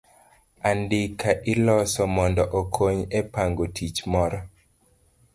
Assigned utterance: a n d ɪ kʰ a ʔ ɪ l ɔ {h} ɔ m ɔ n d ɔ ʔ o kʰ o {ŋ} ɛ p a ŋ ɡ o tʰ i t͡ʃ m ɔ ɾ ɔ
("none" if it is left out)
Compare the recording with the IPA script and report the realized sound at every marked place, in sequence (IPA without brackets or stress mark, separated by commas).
s, ɲ